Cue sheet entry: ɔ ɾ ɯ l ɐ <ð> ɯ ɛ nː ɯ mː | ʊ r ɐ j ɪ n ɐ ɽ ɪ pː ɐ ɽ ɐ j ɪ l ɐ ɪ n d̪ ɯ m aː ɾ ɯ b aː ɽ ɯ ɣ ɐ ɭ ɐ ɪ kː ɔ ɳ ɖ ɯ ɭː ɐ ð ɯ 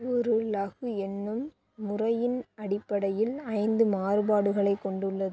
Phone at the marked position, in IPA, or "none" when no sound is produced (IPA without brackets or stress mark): ɣ